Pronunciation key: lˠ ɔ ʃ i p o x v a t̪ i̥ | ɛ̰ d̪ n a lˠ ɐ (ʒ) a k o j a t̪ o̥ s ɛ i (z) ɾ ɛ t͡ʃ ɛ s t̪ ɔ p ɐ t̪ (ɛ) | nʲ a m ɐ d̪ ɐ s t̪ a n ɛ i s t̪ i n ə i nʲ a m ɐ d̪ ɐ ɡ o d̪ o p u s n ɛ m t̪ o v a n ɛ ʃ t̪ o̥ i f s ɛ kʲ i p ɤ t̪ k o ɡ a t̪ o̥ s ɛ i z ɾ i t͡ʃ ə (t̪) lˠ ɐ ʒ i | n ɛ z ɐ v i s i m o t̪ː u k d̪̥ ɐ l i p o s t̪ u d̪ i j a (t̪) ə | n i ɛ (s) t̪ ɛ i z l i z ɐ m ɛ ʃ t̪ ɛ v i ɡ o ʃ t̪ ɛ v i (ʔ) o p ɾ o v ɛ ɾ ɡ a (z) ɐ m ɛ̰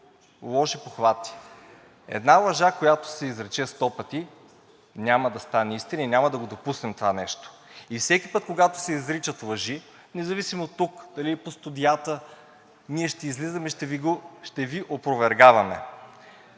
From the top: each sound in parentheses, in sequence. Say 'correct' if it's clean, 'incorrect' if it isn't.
correct, correct, incorrect: i, correct, correct, incorrect: ʃ, correct, incorrect: v

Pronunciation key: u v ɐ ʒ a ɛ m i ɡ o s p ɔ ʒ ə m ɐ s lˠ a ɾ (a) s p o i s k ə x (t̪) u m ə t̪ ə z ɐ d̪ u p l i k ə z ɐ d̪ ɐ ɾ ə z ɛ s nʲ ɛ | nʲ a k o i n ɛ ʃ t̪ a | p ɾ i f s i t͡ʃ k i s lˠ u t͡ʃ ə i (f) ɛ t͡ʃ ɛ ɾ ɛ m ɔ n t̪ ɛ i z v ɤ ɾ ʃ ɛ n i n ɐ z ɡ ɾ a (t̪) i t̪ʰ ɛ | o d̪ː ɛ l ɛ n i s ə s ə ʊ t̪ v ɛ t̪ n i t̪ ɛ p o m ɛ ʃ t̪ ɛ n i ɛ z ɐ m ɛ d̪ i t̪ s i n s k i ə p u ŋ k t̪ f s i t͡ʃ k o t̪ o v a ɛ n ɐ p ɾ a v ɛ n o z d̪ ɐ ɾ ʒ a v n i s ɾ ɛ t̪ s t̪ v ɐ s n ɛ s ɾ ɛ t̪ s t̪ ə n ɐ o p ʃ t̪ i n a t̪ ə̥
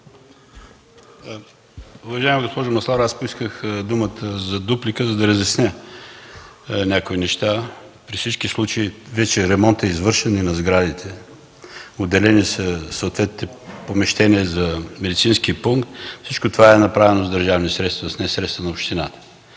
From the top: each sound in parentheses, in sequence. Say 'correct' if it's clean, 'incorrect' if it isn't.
correct, incorrect: d̪, incorrect: v, incorrect: d̪

